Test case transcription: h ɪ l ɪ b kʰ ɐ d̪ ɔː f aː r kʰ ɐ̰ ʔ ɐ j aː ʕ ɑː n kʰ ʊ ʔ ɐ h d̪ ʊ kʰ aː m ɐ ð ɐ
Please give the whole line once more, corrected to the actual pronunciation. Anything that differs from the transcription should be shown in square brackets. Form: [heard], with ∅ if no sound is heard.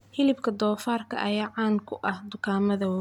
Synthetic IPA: h ɪ l ɪ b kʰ ɐ d̪ ɔː f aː r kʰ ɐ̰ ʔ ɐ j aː ʕ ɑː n kʰ ʊ ʔ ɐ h d̪ ʊ kʰ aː m ɐ ð ɐ

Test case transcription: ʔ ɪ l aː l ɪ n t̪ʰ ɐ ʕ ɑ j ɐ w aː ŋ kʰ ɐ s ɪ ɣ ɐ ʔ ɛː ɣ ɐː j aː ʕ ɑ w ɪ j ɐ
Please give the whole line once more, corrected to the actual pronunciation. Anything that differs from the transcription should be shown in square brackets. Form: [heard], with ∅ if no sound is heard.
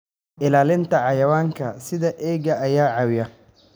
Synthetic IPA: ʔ ɪ l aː l ɪ n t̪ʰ ɐ ʕ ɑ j ɐ w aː ŋ kʰ ɐ s ɪ [ð] ɐ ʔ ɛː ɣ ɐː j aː ʕ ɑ w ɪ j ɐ

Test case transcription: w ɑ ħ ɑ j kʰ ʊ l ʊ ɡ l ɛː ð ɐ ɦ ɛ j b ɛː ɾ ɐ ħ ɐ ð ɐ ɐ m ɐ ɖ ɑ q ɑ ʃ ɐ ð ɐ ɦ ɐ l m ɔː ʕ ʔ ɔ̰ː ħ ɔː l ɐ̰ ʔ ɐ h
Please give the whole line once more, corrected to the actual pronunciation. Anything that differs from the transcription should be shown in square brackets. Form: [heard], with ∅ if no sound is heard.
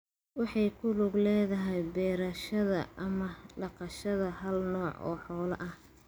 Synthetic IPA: w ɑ ħ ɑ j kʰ ʊ l ʊ ɡ l ɛː ð ɐ ɦ ɛ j b ɛː ɾ ɐ [ʃ] ɐ ð ɐ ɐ m ɐ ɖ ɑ q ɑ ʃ ɐ ð ɐ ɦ ɐ l [n] ɔː ʕ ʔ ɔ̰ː ħ ɔː l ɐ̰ ʔ ɐ h

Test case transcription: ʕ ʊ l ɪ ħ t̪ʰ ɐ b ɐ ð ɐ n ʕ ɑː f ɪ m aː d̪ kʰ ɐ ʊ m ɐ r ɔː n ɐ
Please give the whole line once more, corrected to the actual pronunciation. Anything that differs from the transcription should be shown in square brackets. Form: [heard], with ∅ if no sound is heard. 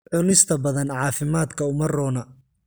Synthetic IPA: ʕ ʊ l ɪ [s] t̪ʰ ɐ b ɐ ð ɐ n ʕ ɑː f ɪ m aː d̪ kʰ ɐ ʊ m ɐ r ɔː n ɐ

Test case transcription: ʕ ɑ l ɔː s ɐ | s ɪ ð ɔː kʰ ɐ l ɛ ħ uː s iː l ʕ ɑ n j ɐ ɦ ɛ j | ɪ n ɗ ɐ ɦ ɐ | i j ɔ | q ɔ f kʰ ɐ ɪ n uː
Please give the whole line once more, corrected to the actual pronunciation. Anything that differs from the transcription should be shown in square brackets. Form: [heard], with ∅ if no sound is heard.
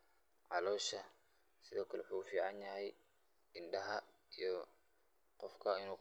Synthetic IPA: ʕ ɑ l ɔː [ʃ] ɐ | s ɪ ð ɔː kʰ ɐ l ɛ ħ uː [f] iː [∅] ʕ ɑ n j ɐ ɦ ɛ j | ɪ n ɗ ɐ ɦ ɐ | i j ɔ | q ɔ f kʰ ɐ ɪ n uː

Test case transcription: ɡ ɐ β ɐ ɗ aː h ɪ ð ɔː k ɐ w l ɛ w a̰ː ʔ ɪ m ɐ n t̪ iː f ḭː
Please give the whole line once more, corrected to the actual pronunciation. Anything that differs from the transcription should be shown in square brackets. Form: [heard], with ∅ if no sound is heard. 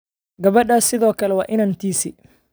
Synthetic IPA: ɡ ɐ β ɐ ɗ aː [s] ɪ ð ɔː k ɐ [∅] l ɛ w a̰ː ʔ ɪ [n] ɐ n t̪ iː [s] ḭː

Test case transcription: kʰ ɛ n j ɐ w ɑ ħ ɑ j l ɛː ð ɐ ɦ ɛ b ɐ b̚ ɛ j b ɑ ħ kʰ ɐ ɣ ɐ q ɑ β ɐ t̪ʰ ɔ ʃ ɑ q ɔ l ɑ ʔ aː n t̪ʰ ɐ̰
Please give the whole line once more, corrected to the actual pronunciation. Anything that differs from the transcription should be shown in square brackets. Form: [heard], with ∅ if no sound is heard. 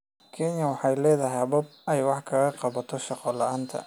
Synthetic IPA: kʰ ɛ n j ɐ w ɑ ħ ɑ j l ɛː ð ɐ ɦ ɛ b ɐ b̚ ɛ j [w] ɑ ħ kʰ ɐ ɣ ɐ q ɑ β ɐ t̪ʰ ɔ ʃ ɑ q ɔ l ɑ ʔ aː n t̪ʰ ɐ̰

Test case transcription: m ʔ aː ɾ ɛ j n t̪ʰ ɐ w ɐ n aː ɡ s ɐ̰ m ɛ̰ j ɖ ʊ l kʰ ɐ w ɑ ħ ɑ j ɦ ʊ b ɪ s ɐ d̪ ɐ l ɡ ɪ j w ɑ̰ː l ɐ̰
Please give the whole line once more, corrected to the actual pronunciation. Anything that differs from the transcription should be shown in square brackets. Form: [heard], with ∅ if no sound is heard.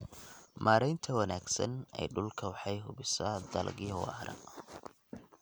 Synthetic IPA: m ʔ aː ɾ ɛ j n t̪ʰ ɐ w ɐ n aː ɡ s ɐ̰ [n] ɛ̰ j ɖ ʊ l kʰ ɐ w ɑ ħ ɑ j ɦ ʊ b ɪ s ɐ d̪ ɐ l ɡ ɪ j w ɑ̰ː [ɾ] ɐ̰

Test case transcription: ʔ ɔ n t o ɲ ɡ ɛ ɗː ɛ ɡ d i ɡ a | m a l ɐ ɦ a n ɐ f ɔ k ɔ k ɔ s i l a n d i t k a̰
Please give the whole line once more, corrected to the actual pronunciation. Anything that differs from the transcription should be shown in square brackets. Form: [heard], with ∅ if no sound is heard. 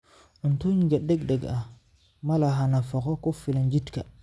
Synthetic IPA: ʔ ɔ n t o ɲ ɡ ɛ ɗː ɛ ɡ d [ɛ] ɡ a | m a l [a] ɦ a n [a] f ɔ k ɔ k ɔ [f] i l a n [d͡ʒ] i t k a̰

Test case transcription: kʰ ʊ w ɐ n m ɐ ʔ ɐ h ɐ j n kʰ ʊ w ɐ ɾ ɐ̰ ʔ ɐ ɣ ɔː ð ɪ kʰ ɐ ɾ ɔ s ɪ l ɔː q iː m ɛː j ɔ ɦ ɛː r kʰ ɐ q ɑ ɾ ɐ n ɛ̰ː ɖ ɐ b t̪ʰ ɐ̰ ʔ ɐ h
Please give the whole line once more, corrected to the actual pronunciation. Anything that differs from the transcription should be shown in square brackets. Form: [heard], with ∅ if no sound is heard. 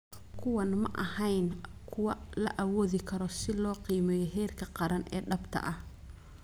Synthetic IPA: kʰ ʊ w ɐ n m ɐ ʔ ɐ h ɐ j n kʰ ʊ w ɐ [l] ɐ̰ ʔ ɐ [w] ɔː ð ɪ kʰ ɐ ɾ ɔ s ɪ l ɔː q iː m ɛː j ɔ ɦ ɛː r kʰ ɐ q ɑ ɾ ɐ n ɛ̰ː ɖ ɐ b t̪ʰ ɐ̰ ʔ ɐ h

